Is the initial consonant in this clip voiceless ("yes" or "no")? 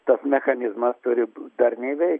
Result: yes